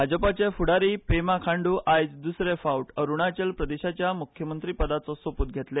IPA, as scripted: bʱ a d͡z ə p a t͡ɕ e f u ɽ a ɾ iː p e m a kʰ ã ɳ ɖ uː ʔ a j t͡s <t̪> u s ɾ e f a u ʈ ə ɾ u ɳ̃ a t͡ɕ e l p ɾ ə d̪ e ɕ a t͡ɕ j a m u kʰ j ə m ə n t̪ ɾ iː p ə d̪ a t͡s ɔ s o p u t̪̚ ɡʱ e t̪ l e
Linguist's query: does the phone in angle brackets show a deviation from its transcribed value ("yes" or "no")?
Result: yes